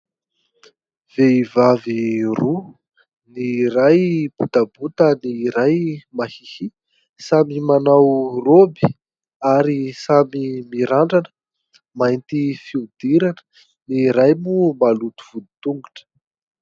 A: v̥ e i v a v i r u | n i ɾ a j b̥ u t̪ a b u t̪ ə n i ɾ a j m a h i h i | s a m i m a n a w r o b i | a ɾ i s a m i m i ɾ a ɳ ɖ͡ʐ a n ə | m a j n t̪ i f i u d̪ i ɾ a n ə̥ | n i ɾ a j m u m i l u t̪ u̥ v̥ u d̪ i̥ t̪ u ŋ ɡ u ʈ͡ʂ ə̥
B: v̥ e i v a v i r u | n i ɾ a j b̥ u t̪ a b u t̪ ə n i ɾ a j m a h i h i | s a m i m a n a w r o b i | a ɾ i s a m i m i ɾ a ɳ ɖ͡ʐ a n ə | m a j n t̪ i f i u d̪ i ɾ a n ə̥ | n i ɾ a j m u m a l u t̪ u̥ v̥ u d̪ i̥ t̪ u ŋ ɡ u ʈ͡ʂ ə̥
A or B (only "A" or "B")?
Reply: B